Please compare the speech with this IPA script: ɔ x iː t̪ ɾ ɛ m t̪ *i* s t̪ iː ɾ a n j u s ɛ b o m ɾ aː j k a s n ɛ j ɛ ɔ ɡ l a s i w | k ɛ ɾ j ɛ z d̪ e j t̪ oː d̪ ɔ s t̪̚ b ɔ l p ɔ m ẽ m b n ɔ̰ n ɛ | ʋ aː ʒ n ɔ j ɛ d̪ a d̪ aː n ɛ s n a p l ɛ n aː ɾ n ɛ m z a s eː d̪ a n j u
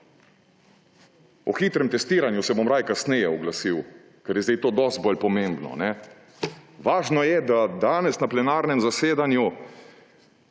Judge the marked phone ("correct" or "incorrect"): incorrect